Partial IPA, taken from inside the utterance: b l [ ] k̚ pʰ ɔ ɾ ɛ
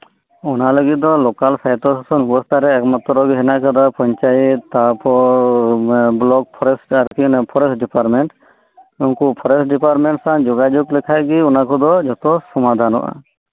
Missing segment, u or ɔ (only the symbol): ɔ